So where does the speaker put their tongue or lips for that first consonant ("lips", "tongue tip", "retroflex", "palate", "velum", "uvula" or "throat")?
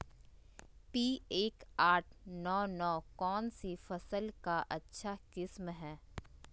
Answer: lips